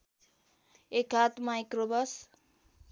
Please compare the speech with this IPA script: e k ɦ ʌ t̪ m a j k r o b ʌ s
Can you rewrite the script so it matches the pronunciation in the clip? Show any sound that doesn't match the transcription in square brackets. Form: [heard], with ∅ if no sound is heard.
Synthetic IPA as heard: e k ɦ [a] t̪ m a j k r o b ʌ s